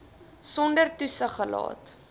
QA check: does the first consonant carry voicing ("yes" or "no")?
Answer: no